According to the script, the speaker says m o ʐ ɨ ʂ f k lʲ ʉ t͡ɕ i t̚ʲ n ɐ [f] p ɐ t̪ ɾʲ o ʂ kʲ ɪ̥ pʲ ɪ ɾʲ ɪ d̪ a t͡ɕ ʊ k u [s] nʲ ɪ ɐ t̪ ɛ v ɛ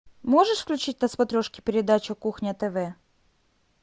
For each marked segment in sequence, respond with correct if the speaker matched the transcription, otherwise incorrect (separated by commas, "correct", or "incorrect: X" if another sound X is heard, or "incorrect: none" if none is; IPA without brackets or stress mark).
incorrect: s, incorrect: x